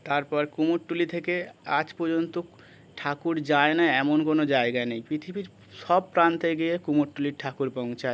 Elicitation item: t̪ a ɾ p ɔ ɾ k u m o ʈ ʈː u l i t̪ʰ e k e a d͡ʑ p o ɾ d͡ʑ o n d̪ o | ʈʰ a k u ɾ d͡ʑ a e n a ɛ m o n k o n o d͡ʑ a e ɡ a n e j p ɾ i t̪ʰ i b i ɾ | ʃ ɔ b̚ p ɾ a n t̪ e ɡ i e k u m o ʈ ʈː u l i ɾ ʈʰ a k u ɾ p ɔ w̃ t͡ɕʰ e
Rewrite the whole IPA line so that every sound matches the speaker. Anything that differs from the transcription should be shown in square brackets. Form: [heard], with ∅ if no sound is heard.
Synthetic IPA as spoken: t̪ a ɾ p ɔ ɾ k u m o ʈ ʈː u l i t̪ʰ e k e a d͡ʑ p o ɾ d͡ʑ o n [t̪] o | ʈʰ a k u ɾ d͡ʑ a e n a ɛ m o n k o n o d͡ʑ a e ɡ a n e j p ɾ i t̪ʰ i b i ɾ | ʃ ɔ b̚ p ɾ a n t̪ e ɡ i e k u m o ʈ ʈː u l i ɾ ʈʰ a k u ɾ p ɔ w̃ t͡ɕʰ [a]